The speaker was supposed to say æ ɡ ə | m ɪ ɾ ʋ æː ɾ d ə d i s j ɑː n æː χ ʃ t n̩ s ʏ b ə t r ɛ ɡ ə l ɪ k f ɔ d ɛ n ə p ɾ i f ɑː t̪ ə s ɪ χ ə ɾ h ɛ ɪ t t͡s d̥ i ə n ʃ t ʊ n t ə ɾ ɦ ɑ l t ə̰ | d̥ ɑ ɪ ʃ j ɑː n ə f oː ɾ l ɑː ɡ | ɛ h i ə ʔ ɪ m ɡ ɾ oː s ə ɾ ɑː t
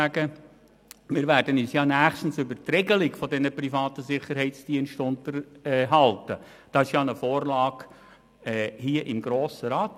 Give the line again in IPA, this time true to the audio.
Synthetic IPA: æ ɡ ə | m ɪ ɾ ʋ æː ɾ d ə n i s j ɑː n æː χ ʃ t n̩ s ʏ b ə t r ɛ ɡ ə l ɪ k f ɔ d ɛ n ə p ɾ i f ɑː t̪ ə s ɪ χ ə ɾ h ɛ ɪ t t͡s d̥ i ə n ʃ t ʊ n t ə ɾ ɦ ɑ l t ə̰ | d̥ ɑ ɪ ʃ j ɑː n ə f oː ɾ l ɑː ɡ | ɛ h i ə ʔ ɪ m ɡ ɾ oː s ə ɾ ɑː t

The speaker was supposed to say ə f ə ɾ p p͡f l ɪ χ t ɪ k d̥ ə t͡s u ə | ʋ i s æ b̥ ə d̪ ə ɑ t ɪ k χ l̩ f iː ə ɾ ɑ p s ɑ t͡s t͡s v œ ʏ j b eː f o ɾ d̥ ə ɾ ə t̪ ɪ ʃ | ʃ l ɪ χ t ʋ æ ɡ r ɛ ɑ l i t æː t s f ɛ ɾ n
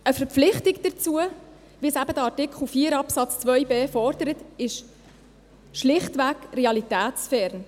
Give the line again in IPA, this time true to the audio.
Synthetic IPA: ə f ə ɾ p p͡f l ɪ χ t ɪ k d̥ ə t͡s u ə | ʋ i s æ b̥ ə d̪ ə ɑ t ɪ k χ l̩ f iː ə ɾ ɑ p s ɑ t͡s t͡s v œ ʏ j b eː f ɔ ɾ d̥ ə ɾ ə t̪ ɪ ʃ | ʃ l ɪ χ t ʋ æ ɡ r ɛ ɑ l i t æː t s f ɛ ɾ n

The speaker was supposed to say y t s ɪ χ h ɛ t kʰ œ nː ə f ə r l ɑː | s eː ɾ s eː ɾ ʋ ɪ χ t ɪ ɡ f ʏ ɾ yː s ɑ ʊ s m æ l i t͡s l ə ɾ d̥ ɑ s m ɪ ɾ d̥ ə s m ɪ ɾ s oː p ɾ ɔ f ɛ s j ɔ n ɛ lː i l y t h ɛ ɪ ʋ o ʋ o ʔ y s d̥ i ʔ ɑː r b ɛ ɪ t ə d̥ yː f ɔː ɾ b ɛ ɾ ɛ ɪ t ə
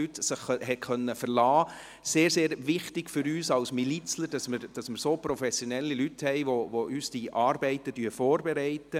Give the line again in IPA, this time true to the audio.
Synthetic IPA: y t s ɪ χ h ɛ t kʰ œ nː ə f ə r l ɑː | s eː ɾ s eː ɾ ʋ ɪ χ t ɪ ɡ f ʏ ɾ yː s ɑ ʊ s m i l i t͡s l ə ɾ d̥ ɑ s m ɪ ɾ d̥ ɑ s m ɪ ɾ s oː p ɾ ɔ f ɛ s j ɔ n ɛ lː i l y t h ɛ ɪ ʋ o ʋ o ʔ y s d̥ i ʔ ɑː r b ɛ ɪ t ə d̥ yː f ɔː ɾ b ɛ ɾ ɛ ɪ t ə

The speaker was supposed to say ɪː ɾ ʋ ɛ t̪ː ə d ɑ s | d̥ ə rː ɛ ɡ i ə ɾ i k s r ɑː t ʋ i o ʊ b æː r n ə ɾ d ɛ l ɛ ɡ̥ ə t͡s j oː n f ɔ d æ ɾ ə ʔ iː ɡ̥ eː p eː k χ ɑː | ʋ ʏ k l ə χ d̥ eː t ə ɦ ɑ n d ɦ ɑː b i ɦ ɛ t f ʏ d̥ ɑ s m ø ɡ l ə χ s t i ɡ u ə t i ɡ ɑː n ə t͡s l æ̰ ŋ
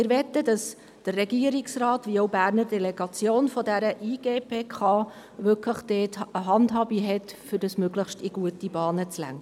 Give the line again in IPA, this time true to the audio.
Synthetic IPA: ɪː ɾ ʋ ɛ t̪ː ə d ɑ s | d̥ ə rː ɛ ɡ i ə ɾ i k s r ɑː t ʋ i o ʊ b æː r n ə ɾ d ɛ l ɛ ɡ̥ ɑ t͡s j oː n f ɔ d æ ɾ ə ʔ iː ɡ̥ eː p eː k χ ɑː | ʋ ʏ k l ə χ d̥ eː t ə ɦ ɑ n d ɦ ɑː b i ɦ ɛ t f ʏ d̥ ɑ s m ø ɡ l ə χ ʃ t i ɡ u ə t i b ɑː n ə t͡s l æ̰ ŋ

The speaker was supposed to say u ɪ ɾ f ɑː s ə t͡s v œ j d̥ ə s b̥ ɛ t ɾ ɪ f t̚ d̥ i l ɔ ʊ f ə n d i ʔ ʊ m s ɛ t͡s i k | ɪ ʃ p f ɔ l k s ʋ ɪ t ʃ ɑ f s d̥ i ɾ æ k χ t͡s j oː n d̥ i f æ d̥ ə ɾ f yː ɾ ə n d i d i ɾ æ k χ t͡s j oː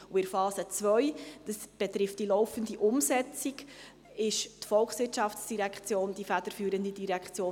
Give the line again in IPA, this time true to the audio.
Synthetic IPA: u ɪ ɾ f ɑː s ə t͡s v œ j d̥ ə s b̥ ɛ t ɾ ɪ f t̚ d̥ i l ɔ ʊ f ə n d i ʔ ʊ m s ɛ t͡s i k | ɪ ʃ t f ɔ l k s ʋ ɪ t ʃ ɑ f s d̥ i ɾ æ k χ t͡s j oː n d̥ i f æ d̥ ə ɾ f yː ɾ ə n d i d i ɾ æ k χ t͡s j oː

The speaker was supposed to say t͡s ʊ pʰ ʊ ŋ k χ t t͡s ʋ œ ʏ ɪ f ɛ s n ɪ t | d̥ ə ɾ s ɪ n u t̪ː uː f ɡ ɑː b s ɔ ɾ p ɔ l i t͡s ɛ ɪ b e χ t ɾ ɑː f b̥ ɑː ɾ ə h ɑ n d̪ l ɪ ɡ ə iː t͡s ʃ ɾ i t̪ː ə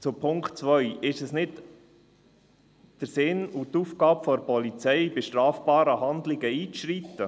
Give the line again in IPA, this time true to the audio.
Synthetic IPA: t͡s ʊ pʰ ʊ ŋ k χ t t͡s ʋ œ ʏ ɪ ʃ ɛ s n ɪ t | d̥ ə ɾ s ɪ n u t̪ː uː f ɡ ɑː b f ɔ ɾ p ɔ l i t͡s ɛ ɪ b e ʃ t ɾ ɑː f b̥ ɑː ɾ ə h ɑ n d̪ l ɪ ɡ ə iː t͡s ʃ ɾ i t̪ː ə

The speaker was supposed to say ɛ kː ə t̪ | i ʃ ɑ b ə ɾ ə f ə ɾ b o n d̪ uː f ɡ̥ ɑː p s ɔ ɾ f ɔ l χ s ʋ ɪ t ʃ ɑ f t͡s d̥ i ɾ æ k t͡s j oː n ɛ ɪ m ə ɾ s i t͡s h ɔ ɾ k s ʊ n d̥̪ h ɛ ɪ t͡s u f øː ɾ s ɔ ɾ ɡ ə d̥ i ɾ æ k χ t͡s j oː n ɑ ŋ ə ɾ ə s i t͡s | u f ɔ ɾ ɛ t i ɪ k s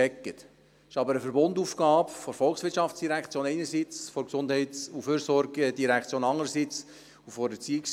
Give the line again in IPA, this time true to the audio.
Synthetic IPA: ɛ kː ə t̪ | ɪ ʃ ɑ b ə ɾ ə f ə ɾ b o n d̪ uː f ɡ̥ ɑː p f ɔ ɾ f ɔ l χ s ʋ ɪ t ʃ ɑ f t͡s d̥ i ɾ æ k t͡s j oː n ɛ ɪ n ə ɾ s i t͡s f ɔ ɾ k s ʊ n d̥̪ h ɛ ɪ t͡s u f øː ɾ s ɔ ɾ ɡ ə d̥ i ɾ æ k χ t͡s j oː n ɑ ŋ ə ɾ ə s i t͡s | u f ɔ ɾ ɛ t͡s i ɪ k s

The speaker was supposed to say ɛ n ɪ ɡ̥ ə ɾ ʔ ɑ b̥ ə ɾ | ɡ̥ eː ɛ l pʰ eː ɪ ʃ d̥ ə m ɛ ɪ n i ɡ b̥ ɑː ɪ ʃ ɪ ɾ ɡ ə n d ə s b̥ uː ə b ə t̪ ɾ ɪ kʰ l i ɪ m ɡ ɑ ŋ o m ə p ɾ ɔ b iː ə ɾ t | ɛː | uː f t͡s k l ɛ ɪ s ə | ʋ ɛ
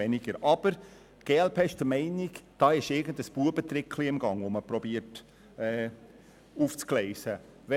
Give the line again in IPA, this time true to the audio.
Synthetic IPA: ɛ n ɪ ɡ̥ ə ɾ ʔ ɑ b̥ ə ɾ | ɡ̥ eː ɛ l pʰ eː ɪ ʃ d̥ ə m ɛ ɪ n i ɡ d̥ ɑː ɪ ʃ ɪ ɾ ɡ ə n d ə s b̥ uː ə b ə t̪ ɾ ɪ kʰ l i ɪ m ɡ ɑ ŋ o m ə p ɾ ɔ b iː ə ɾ t | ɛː | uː f t͡s k l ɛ ɪ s ə | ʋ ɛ

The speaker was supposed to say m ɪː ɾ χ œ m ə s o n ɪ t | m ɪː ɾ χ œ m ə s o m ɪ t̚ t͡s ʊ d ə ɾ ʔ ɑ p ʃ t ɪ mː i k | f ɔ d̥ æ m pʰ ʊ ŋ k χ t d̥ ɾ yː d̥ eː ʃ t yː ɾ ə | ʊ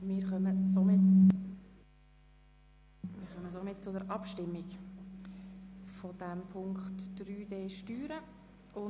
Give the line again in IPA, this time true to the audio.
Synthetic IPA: m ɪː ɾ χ œ m ə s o m ɪ t | m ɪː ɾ χ œ m ə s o m ɪ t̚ t͡s ʊ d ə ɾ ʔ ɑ p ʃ t ɪ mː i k | f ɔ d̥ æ m pʰ ʊ ŋ k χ t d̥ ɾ yː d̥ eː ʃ t yː ɾ ə | ʊ

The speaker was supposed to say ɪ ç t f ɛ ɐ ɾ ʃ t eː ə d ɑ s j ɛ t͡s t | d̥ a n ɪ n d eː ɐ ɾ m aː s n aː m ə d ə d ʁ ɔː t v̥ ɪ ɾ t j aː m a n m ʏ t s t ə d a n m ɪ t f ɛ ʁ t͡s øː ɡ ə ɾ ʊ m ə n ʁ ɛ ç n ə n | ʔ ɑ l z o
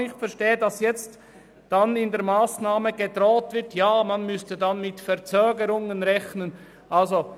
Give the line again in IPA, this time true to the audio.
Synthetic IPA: ɪ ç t f ɛ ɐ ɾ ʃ t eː ə d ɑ s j ɛ t͡s t | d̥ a n ɪ n d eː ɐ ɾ m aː s n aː m ə ɡ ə d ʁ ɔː t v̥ ɪ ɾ t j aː m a n m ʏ s t ə d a n m ɪ t f ɛ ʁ t͡s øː ɡ ə ɾ ʊ ŋ ə n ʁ ɛ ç n ə n | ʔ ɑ l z o

